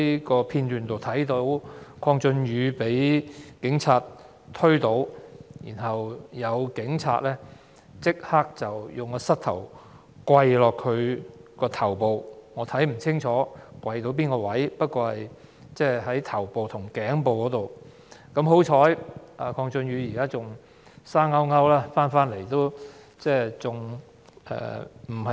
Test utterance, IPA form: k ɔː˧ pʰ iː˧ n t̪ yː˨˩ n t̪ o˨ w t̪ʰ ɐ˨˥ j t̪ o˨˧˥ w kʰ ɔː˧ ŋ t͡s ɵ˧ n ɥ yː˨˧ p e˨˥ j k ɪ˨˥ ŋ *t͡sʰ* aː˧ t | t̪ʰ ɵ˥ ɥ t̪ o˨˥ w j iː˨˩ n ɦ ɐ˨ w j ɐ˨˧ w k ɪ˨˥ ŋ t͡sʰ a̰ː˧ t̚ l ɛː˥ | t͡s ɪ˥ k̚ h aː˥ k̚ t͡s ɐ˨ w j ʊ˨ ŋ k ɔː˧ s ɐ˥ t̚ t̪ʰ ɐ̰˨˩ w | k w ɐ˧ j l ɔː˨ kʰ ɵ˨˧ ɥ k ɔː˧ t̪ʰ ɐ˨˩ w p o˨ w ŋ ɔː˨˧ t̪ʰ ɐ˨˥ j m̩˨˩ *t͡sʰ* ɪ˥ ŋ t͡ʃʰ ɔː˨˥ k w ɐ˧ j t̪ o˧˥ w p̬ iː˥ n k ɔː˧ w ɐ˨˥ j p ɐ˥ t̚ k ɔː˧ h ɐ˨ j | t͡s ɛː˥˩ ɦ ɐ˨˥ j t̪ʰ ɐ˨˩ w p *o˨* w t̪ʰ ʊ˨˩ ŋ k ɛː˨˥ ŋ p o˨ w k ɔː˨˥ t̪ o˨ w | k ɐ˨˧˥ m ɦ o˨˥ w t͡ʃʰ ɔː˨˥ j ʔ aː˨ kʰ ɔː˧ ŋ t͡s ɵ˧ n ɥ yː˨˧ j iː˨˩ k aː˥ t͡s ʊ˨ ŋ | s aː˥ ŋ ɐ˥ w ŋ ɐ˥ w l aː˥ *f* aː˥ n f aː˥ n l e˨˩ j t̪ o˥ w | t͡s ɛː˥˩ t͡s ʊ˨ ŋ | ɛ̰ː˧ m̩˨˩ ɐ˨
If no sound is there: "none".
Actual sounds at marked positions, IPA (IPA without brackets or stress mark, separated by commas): t͡sʰ, t͡sʰ, o˨, f